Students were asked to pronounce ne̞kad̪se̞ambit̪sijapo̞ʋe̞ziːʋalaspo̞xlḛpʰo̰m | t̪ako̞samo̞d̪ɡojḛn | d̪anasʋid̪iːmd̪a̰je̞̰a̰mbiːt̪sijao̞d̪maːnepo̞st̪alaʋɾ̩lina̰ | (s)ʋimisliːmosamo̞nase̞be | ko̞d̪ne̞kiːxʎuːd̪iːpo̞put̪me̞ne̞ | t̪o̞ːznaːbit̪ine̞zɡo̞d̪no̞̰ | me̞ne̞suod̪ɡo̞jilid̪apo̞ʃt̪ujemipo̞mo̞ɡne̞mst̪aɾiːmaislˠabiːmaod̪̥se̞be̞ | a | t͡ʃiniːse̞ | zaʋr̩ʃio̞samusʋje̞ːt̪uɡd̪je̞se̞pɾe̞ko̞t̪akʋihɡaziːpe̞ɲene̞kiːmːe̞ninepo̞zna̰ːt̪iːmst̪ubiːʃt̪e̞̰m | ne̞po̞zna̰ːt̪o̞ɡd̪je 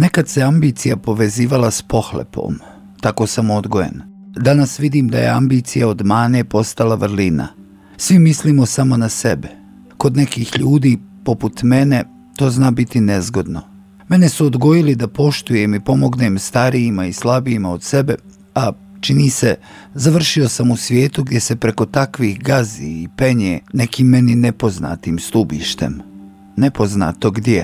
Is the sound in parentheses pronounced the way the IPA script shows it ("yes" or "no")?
yes